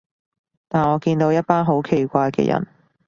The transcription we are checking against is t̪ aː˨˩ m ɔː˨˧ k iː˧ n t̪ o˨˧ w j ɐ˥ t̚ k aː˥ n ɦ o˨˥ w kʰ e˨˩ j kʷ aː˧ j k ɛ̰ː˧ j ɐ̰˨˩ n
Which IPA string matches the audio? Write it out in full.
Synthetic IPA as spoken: t̪ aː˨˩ n ɔː˨˧ k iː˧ n t̪ o˨˧ w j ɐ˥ t̚ p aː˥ n ɦ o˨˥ w kʰ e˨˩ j kʷ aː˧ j k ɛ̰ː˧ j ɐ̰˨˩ n